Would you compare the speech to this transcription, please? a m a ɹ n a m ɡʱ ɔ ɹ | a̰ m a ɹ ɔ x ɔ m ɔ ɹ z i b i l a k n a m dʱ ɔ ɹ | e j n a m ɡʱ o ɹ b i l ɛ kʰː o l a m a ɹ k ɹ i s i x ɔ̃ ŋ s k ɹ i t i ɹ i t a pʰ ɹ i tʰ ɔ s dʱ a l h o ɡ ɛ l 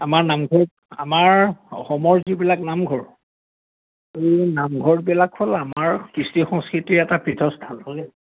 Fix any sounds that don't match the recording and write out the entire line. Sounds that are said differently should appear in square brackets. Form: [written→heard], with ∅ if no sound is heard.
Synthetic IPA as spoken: a m a ɹ n a m ɡʱ ɔ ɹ | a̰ m a ɹ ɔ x ɔ m ɔ ɹ z i b i l a k n a m [dʱ→ɡʱ] ɔ ɹ | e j n a m ɡʱ [o→ɔ] ɹ b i l [ɛ→a] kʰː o l a m a ɹ k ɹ i s i x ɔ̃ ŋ s k ɹ i t i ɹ [i→ɛ] t a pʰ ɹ i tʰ ɔ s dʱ a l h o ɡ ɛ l